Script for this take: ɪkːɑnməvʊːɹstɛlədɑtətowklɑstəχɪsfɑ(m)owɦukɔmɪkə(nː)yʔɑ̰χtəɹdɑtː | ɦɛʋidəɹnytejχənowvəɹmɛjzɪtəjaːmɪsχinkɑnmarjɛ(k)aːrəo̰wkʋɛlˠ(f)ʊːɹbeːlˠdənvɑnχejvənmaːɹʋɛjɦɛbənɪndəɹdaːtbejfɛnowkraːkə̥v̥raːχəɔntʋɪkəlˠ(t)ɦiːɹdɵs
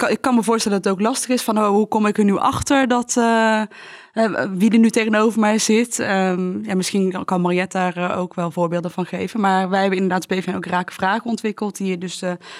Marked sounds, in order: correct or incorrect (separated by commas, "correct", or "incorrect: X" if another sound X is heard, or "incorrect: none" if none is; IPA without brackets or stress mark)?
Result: incorrect: n, incorrect: n, incorrect: t, incorrect: v, correct